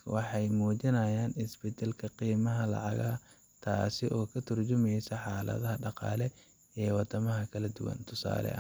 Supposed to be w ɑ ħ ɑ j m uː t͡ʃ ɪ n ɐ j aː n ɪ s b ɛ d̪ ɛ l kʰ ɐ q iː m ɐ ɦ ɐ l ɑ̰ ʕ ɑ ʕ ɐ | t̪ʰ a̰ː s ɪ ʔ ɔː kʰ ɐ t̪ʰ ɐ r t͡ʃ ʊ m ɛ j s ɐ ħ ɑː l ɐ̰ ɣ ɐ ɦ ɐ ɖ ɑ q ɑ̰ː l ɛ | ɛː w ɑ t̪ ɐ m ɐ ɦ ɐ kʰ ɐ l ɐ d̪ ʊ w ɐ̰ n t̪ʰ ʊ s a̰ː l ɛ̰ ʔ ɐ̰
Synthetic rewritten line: w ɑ ħ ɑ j m uː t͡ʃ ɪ n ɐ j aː n ɪ s b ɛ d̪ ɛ l kʰ ɐ q iː m ɐ ɦ ɐ l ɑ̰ ʕ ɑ ɣ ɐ | t̪ʰ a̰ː s ɪ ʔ ɔː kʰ ɐ t̪ʰ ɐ r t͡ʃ ʊ m ɛ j s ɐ ħ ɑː l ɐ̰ ð ɐ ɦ ɐ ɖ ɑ q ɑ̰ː l ɛ | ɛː w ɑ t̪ ɐ m ɐ ɦ ɐ kʰ ɐ l ɐ d̪ ʊ w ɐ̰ n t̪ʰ ʊ s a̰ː l ɛ̰ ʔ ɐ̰